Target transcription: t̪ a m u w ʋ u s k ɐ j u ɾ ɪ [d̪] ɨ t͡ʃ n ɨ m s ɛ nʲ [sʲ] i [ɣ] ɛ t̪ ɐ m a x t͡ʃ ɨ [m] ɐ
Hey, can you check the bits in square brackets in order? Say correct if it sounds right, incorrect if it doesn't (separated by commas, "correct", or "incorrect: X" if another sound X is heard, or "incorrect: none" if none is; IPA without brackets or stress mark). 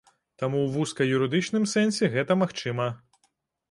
correct, correct, correct, correct